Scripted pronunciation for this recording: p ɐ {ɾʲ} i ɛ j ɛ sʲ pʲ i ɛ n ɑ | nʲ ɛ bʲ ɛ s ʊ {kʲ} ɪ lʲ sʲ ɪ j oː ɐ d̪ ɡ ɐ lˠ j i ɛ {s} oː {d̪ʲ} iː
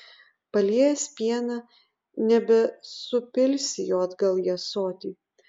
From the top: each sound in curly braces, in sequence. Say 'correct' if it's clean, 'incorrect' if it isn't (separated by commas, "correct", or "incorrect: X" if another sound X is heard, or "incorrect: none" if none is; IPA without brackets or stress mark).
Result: incorrect: lʲ, incorrect: pʲ, correct, incorrect: t̪ʲ